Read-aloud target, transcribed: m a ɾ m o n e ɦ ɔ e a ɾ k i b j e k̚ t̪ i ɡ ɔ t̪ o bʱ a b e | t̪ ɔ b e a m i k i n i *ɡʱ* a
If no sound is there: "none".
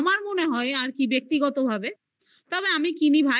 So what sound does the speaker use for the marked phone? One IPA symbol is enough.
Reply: bʱ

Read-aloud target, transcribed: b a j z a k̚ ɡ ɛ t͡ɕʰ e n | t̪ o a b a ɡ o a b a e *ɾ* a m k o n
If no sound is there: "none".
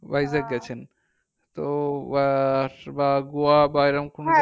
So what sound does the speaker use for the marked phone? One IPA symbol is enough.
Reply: ɾ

